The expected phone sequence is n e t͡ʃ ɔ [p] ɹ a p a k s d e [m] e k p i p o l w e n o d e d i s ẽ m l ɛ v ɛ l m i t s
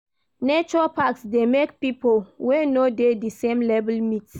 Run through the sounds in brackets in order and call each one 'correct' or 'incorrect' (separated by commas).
incorrect, correct